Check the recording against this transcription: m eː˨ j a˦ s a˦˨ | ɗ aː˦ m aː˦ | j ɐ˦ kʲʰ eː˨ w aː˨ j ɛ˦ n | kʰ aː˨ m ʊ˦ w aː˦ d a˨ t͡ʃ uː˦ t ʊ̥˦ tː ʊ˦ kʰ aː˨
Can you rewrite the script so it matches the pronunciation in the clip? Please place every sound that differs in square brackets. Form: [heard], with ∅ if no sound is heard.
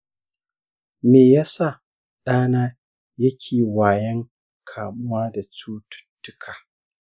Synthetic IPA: m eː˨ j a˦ s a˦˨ | ɗ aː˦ [n] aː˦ | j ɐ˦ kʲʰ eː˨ w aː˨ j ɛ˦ [ŋ] | kʰ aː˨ m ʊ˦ w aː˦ d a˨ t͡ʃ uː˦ t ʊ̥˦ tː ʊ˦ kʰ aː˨